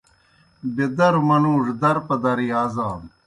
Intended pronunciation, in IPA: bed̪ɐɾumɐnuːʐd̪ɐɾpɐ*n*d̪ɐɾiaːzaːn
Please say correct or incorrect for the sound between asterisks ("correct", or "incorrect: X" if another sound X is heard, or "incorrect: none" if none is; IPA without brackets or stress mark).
incorrect: none